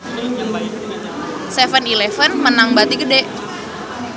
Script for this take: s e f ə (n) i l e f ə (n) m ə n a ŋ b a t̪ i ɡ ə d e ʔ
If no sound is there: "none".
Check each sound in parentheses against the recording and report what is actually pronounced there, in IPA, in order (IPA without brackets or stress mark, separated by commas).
n, n